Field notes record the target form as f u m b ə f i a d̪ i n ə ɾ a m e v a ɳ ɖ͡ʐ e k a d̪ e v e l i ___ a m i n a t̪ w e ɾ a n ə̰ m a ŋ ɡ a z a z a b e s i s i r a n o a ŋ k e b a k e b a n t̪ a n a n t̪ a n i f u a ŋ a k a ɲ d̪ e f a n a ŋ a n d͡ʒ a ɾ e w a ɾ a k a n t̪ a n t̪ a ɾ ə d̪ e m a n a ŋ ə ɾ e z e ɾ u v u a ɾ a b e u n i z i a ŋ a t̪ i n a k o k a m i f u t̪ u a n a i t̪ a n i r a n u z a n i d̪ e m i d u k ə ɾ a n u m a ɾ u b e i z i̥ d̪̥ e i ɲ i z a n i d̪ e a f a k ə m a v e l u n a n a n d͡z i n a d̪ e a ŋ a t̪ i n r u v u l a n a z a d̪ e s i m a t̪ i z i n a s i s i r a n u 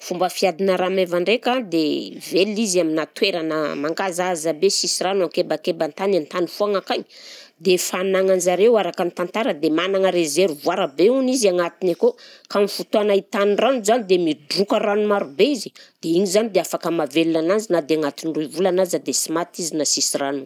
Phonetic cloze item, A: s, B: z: B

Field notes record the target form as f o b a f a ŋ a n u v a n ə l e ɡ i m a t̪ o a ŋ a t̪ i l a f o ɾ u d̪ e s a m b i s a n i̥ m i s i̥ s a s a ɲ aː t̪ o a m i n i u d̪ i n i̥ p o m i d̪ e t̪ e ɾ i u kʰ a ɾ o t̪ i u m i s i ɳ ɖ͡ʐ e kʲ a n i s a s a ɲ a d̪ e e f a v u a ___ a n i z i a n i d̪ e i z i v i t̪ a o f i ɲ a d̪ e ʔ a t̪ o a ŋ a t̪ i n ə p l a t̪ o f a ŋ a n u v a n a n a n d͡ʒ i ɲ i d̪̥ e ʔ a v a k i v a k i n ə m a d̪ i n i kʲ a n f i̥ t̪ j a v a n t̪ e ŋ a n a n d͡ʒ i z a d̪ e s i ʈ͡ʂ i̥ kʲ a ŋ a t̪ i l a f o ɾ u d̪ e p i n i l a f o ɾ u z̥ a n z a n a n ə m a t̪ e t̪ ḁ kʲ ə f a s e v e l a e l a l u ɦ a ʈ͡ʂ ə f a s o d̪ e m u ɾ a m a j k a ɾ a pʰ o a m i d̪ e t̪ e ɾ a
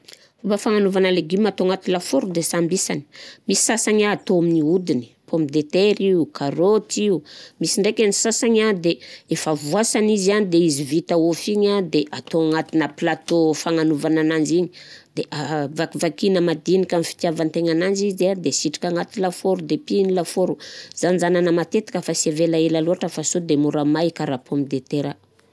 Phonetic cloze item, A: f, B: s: B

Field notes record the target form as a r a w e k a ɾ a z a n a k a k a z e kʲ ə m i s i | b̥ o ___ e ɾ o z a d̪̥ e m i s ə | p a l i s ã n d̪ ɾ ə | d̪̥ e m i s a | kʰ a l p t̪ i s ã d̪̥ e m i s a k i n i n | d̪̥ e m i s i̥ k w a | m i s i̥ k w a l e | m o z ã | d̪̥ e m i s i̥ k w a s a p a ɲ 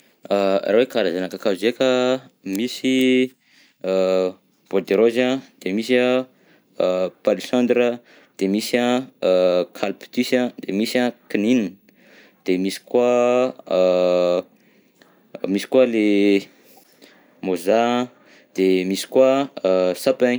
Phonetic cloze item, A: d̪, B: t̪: A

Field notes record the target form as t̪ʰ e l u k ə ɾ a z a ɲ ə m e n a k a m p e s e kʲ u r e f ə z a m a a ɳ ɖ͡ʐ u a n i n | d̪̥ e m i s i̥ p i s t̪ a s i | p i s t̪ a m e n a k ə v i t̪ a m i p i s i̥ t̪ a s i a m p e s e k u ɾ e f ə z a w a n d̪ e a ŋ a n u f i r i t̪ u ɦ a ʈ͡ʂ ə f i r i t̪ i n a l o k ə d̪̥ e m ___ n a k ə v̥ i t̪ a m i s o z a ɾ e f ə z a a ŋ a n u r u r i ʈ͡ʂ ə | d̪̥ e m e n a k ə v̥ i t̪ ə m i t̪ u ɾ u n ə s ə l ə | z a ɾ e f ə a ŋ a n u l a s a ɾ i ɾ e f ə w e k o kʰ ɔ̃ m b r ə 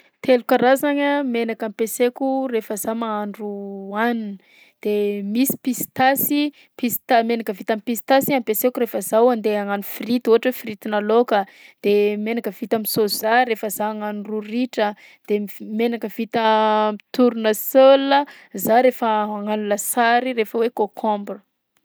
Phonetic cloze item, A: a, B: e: B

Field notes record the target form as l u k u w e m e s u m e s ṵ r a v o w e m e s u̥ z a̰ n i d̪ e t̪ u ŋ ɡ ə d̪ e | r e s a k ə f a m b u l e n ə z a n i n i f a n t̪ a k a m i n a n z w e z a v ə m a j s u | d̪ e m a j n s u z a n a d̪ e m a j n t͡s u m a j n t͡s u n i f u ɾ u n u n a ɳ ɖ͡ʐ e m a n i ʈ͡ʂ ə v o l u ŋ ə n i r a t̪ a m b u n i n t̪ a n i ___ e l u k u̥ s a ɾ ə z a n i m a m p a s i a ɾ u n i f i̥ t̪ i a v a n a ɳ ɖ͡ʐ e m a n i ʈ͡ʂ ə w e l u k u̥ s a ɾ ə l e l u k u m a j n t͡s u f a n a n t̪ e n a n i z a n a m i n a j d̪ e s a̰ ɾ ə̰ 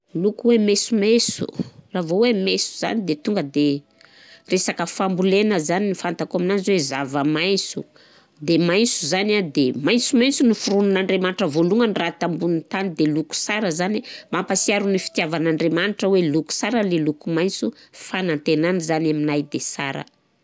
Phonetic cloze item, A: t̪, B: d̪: B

